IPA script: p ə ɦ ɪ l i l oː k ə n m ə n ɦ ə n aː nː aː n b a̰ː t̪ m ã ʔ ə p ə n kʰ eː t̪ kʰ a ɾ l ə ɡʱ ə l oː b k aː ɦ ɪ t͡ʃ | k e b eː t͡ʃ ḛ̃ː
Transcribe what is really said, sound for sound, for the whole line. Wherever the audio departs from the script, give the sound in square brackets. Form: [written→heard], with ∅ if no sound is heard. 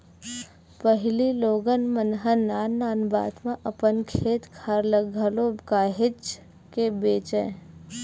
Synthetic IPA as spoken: p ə ɦ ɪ l i l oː [k→ɡ] ə n m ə n ɦ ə n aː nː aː n b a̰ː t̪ m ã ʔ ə p ə n kʰ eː t̪ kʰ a ɾ l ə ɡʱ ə l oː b k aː ɦ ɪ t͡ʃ | k e b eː t͡ʃ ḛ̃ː